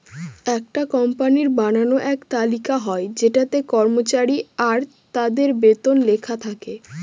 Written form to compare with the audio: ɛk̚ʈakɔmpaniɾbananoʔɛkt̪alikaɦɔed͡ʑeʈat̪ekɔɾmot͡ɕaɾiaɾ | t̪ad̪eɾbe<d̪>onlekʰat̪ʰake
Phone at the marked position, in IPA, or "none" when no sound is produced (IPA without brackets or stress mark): t̪